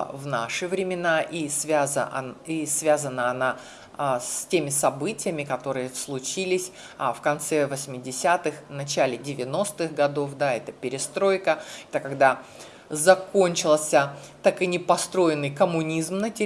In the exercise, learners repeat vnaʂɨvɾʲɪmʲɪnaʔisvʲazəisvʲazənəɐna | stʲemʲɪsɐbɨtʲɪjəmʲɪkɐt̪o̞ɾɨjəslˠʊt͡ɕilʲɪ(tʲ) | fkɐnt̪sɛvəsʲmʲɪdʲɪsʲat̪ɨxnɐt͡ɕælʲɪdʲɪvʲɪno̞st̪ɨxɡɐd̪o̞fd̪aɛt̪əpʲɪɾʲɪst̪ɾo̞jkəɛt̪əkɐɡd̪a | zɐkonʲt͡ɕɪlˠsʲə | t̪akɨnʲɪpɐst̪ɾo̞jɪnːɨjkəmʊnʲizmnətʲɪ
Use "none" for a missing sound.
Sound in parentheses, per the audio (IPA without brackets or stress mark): sʲ